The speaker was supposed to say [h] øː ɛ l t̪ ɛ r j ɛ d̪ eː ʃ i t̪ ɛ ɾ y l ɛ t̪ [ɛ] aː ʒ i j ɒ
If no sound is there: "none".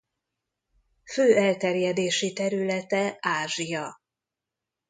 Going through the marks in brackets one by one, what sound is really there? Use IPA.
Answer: f, ɛ

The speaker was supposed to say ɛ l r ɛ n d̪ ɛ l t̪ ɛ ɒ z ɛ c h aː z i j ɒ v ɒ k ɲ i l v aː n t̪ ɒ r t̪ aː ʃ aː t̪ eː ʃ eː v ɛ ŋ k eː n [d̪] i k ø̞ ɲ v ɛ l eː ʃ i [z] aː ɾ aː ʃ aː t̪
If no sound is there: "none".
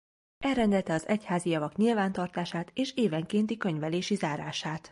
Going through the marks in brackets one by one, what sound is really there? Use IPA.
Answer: t̪, z

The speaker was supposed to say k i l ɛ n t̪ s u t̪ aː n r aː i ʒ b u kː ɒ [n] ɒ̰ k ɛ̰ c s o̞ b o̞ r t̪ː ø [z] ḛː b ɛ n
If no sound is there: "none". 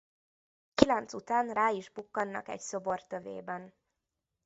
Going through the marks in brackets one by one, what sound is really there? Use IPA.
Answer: nː, v

